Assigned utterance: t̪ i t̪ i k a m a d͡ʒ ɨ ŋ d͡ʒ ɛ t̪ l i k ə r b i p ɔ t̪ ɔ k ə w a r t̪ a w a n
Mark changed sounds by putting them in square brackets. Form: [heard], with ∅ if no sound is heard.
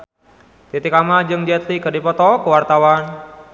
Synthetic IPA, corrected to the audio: t̪ i t̪ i k a m a d͡ʒ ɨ ŋ d͡ʒ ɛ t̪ l i k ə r [d] i p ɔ t̪ ɔ k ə w a r t̪ a w a n